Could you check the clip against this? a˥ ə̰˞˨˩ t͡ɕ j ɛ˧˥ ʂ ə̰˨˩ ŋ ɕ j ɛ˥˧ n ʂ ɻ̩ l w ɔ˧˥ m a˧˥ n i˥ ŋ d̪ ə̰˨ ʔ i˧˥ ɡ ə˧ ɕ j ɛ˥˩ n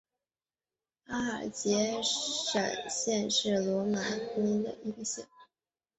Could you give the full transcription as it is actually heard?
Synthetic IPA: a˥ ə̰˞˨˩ t͡ɕ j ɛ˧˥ ʂ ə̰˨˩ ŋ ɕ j ɛ˥˧ n ʂ ɻ̩ l w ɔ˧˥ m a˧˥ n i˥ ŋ d̪ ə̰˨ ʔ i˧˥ ɡ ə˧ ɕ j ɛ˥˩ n